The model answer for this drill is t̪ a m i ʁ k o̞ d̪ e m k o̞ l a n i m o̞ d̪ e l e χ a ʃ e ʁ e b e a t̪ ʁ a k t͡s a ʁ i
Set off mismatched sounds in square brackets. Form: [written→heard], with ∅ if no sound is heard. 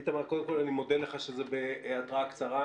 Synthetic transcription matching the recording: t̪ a m [i→a] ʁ k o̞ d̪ e m k o̞ l a n i m o̞ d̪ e l e χ a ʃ e [ʁ→z] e b e a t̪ ʁ a k t͡s a ʁ [i→a]